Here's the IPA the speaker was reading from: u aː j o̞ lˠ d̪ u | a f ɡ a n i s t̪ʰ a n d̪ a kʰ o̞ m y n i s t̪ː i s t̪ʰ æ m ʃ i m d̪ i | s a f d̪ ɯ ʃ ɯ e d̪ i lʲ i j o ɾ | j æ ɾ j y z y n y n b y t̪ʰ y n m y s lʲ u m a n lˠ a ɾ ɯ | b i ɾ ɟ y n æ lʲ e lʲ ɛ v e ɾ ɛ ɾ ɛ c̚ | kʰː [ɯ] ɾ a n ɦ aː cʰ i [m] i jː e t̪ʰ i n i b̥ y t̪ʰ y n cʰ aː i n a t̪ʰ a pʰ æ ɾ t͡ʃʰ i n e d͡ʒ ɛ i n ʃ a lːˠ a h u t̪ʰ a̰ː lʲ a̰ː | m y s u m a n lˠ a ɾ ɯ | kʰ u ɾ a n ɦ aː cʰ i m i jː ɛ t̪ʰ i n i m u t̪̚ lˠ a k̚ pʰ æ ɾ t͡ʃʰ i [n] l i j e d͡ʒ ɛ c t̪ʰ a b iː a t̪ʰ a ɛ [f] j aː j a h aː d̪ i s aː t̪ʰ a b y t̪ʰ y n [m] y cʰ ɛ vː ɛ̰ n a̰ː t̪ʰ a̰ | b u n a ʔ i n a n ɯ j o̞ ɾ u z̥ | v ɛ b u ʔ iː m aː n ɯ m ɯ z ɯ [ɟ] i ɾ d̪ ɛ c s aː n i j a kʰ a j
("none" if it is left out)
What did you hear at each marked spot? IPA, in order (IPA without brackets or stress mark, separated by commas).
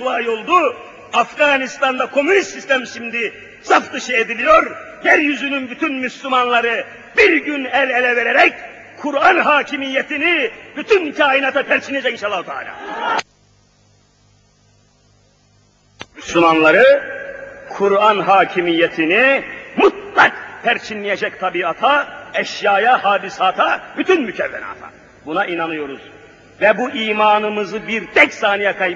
u, m, n, ʃ, m, b